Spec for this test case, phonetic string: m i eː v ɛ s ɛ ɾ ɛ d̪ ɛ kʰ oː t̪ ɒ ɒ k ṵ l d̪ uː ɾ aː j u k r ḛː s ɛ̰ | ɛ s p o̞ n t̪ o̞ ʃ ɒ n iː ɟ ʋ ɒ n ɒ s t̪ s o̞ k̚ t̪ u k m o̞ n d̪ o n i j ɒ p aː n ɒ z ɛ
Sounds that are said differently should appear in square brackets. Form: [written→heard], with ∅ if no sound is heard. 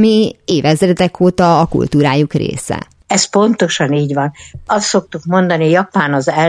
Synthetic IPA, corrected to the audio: m i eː v ɛ [s→z] ɛ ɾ ɛ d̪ ɛ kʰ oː t̪ ɒ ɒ k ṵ l [d̪→t̪] uː ɾ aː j u k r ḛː s ɛ̰ | ɛ s p o̞ n t̪ o̞ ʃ ɒ n iː ɟ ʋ ɒ n ɒ s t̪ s o̞ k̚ t̪ u k m o̞ n d̪ [o→ɒ] n i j ɒ p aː n ɒ z ɛ